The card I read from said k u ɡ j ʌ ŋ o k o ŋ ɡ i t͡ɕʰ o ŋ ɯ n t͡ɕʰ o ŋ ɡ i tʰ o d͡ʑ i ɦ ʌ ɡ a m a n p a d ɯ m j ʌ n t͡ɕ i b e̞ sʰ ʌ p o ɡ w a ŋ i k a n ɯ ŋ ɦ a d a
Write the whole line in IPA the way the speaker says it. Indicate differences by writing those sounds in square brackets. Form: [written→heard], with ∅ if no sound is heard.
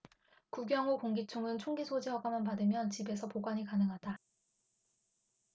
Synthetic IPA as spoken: k u ɡ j ʌ ŋ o k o ŋ ɡ i t͡ɕʰ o ŋ ɯ n t͡ɕʰ o ŋ ɡ i [tʰ→sʰ] o d͡ʑ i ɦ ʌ ɡ a m a n p a d ɯ m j ʌ n t͡ɕ i b e̞ sʰ ʌ p o ɡ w a [ŋ→ɲ] i k a n ɯ ŋ ɦ a d a